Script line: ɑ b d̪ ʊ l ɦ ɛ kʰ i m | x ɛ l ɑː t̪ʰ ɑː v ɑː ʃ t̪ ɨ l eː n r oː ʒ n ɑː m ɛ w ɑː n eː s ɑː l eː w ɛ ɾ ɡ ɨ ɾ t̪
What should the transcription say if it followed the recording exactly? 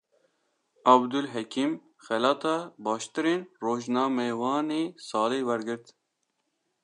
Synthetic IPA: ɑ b d̪ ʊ l ɦ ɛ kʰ i m | x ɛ l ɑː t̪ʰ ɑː b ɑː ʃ t̪ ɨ ɾ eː n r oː ʒ n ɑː m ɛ w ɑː n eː s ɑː l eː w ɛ ɾ ɡ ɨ ɾ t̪